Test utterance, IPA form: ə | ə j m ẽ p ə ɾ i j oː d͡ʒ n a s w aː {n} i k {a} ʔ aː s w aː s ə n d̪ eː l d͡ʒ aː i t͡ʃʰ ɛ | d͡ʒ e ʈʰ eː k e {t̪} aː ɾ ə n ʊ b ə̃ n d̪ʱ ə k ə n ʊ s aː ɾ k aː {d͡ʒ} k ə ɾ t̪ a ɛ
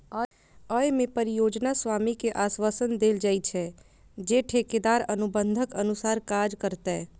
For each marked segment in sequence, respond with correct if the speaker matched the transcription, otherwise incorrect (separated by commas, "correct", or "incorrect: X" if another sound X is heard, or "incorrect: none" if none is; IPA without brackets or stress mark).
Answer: incorrect: m, incorrect: e, incorrect: d̪, correct